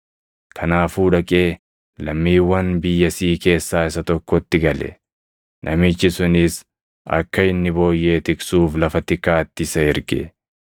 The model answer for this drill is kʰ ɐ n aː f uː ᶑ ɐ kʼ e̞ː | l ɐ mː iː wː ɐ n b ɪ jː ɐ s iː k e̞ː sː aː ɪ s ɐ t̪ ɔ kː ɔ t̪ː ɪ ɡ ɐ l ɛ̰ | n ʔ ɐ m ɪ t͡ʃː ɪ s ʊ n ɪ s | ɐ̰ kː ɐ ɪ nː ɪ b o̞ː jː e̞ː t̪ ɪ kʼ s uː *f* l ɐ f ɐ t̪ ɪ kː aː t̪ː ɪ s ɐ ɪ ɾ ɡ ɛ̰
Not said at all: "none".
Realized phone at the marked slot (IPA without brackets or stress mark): f